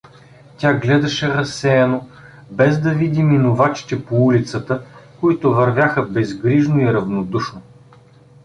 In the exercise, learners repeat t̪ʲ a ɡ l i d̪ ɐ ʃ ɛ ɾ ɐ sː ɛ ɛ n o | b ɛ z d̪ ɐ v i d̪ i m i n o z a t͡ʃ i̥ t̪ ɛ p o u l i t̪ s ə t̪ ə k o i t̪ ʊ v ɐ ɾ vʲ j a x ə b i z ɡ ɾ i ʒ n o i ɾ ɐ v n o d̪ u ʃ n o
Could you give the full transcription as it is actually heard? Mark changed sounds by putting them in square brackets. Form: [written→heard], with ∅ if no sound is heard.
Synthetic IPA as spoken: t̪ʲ a ɡ l [i→ɛ] d̪ ɐ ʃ ɛ ɾ ɐ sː ɛ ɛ n o | b ɛ z d̪ ɐ v i d̪ i m i n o [z→v] a t͡ʃ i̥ t̪ ɛ p o u l i t̪ s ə t̪ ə k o i t̪ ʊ v ɐ ɾ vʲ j a x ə b [i→ɛ] z ɡ ɾ i ʒ n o i ɾ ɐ v n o d̪ u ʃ n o

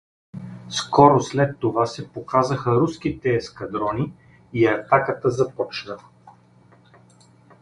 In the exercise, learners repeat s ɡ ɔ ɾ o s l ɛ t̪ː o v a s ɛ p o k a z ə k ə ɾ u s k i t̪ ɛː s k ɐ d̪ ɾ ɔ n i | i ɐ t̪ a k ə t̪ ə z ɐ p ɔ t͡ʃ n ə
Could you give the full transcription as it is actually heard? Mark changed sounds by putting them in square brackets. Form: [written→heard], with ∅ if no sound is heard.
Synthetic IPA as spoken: s [ɡ→k] ɔ ɾ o s l ɛ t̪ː o v a s ɛ p o k a z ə [k→x] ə ɾ u s k i t̪ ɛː s k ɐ d̪ ɾ ɔ n i | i ɐ t̪ a k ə t̪ ə z ɐ p ɔ t͡ʃ n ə

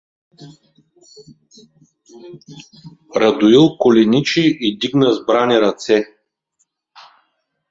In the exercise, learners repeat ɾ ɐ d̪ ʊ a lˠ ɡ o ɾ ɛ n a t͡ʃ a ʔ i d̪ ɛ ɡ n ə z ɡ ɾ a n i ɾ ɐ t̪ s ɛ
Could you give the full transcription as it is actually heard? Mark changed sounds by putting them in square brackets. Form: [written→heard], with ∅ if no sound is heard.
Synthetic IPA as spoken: ɾ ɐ d̪ ʊ [a→i] lˠ [ɡ→k] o [ɾ→l] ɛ n [a→i] t͡ʃ [a→i] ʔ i d̪ [ɛ→i] ɡ n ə z [ɡ→b] ɾ a n i ɾ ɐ t̪ s ɛ

